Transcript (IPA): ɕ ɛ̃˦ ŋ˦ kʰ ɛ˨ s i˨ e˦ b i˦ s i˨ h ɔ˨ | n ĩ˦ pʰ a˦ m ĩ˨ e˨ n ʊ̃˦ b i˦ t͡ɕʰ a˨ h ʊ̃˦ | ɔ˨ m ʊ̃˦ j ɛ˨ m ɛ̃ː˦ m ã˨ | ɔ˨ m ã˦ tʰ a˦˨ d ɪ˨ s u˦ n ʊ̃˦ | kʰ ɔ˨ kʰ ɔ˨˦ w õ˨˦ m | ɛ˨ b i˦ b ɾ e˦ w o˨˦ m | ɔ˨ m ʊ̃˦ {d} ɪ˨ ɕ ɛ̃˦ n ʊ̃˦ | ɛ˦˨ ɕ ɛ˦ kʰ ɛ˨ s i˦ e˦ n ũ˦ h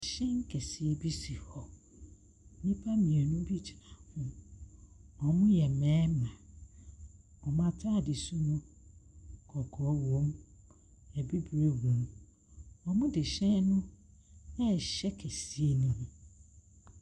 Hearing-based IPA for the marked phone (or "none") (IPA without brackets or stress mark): d